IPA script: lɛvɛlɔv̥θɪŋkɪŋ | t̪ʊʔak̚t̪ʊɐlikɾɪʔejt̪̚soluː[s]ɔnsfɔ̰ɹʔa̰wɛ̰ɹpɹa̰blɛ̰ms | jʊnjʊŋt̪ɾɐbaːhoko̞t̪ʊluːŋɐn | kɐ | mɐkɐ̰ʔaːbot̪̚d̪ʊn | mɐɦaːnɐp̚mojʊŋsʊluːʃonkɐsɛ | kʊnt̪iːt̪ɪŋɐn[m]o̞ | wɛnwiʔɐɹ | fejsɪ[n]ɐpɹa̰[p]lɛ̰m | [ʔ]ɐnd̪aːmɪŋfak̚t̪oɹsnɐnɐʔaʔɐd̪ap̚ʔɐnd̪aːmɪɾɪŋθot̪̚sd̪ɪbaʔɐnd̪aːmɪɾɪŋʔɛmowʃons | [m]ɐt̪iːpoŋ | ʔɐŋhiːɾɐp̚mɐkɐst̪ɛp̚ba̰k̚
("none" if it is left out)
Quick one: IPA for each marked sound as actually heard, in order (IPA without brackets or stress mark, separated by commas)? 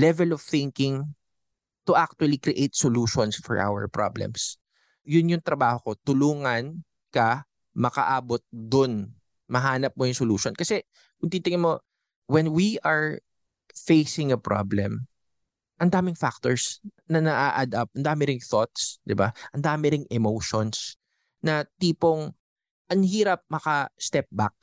ʃ, m, ŋ, b, ʔ, n